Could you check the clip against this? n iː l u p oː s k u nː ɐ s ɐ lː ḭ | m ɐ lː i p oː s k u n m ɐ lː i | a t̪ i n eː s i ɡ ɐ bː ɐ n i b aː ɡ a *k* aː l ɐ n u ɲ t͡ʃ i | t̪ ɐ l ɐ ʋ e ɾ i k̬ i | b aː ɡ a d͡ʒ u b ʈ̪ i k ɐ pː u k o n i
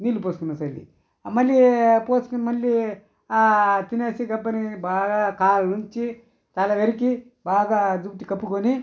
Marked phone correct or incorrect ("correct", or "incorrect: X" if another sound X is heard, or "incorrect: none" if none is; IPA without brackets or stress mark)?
correct